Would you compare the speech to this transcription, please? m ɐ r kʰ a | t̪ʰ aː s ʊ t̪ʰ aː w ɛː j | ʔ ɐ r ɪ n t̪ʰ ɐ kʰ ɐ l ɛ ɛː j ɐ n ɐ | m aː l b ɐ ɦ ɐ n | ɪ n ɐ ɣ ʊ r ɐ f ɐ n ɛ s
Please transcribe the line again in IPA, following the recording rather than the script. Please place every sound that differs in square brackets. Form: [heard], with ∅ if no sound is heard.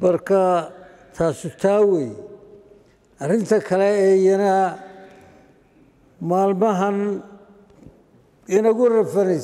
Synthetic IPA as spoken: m ɐ r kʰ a | t̪ʰ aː s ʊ t̪ʰ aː w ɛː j | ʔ ɐ r ɪ n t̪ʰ ɐ kʰ ɐ l ɛ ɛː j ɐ n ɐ | m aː l [m] ɐ ɦ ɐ n | ɪ n ɐ ɣ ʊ r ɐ f ɐ n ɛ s